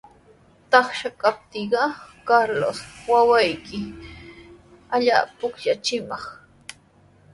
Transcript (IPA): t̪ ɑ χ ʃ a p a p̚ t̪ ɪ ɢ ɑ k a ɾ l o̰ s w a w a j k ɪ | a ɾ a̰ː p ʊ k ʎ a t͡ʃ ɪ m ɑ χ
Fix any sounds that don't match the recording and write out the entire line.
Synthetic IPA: t̪ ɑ χ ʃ a k a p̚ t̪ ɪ ɢ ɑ k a ɾ l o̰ s w a w a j k ɪ | a ʎ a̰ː p ʊ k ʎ a t͡ʃ ɪ m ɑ χ